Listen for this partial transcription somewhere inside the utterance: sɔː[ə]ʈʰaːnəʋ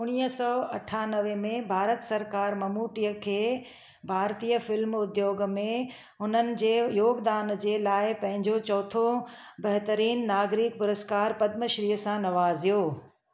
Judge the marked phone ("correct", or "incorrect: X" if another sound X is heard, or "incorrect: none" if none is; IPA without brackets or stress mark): incorrect: ɐ